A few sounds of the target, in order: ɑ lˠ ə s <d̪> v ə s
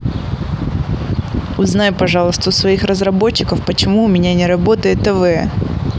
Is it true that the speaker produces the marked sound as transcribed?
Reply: no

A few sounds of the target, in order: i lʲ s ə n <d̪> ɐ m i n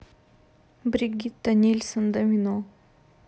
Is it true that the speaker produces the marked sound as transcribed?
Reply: yes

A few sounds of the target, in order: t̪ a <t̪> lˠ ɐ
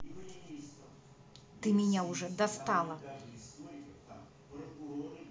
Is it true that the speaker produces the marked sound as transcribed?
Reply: no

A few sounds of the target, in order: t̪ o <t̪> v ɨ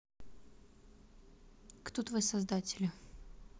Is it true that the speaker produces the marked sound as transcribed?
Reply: yes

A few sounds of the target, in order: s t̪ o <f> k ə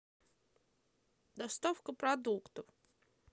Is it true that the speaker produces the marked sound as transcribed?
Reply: yes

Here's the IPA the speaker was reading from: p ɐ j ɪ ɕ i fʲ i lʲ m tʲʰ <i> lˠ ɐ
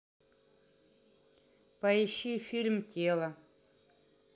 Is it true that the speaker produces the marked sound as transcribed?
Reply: no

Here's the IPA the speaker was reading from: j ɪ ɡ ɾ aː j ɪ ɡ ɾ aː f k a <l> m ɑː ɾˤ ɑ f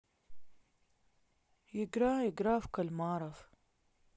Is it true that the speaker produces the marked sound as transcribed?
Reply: yes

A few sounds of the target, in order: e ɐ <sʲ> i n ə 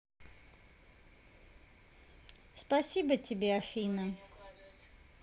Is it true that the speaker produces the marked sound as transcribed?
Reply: no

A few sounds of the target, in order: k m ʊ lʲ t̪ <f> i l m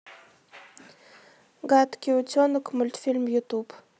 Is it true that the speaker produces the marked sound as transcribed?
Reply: yes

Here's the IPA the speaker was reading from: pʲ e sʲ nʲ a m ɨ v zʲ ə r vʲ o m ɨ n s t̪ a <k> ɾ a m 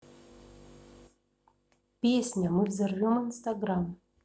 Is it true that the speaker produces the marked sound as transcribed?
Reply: no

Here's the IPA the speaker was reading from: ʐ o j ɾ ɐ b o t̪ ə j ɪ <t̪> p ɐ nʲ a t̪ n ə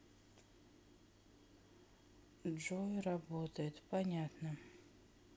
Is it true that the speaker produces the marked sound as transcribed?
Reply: yes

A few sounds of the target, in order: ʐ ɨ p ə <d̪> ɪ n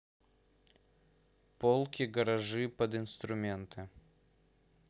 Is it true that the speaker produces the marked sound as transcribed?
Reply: yes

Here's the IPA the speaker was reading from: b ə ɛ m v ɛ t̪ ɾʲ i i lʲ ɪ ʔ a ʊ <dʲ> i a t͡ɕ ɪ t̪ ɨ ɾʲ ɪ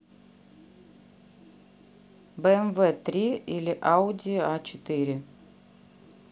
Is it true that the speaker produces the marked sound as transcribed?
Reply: yes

